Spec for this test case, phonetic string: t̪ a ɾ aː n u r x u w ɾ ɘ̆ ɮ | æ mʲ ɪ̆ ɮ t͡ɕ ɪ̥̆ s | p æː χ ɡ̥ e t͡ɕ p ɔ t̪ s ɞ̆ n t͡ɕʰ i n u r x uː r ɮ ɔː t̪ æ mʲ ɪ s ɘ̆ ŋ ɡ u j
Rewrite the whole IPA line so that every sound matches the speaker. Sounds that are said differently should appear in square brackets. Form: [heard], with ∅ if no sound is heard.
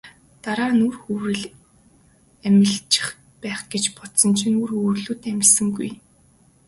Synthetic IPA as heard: t̪ a ɾ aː n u r x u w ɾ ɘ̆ ɮ | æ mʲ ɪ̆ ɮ t͡ɕ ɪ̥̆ [χ] | p æː χ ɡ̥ e t͡ɕ p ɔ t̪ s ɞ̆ n t͡ɕʰ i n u r x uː r ɮ [uː] t̪ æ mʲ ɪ s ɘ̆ ŋ ɡ u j